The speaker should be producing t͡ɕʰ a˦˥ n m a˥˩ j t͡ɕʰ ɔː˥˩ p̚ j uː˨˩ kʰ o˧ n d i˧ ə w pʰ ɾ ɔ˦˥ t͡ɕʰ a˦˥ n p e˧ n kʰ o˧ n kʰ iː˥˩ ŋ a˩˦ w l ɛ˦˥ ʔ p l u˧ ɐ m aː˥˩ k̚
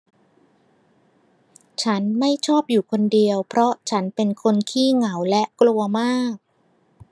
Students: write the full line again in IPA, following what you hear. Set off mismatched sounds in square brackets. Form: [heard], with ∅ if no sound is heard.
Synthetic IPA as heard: t͡ɕʰ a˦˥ n m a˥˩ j t͡ɕʰ ɔː˥˩ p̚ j uː˨˩ kʰ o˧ n d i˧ ə w pʰ ɾ ɔ˦˥ t͡ɕʰ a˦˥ n p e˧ n kʰ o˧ n kʰ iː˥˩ ŋ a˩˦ w l ɛ˦˥ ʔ [k] l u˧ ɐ m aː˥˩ k̚